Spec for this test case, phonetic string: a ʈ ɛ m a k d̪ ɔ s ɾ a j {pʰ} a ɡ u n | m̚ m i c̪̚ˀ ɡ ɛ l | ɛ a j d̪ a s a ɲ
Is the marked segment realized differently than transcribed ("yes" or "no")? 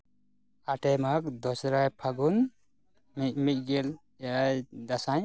no